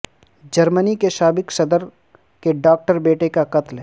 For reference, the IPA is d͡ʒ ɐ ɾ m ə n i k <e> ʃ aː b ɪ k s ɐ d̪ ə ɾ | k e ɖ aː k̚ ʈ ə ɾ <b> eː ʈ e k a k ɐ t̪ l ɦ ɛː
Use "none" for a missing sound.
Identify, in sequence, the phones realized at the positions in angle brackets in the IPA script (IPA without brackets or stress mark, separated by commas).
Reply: e, b